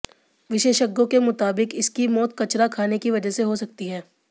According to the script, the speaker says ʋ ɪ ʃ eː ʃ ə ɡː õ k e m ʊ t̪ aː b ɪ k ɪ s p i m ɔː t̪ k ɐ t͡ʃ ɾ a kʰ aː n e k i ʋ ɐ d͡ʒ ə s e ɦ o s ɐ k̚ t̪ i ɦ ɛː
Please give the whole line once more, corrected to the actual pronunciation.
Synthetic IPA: ʋ ɪ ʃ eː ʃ ə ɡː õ k e m ʊ t̪ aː b ɪ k ɪ s k i m ɔː t̪ k ɐ t͡ʃ ɾ a kʰ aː n e k i ʋ ɐ d͡ʒ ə s e ɦ o s ɐ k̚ t̪ i ɦ ɛː